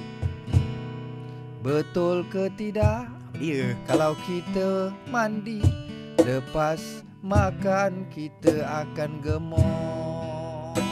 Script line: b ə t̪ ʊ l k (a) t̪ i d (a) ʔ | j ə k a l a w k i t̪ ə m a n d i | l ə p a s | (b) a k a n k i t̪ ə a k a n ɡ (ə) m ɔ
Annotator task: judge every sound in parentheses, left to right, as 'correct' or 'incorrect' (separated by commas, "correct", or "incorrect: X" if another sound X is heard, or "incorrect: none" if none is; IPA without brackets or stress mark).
incorrect: ə, correct, incorrect: m, correct